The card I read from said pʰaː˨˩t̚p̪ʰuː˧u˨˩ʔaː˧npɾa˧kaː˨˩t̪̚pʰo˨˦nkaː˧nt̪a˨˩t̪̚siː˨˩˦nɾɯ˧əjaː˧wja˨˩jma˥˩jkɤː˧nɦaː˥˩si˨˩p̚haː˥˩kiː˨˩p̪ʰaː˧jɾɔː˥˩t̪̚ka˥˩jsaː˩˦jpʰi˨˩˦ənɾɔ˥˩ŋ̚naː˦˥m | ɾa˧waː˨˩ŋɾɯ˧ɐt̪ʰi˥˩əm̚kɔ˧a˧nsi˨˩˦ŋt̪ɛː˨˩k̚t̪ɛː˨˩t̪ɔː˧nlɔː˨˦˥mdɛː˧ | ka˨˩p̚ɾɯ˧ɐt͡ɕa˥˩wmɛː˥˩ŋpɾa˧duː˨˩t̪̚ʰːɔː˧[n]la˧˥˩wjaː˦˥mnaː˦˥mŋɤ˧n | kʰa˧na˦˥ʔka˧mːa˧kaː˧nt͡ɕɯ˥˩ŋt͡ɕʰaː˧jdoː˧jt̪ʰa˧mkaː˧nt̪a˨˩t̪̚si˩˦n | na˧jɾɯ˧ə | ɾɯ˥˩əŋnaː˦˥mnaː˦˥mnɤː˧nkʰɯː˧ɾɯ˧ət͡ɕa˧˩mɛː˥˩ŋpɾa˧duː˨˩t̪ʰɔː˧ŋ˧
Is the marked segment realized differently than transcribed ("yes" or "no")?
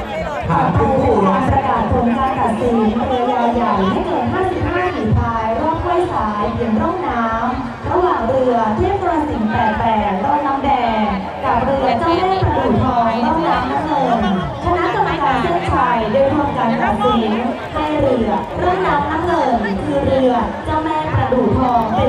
yes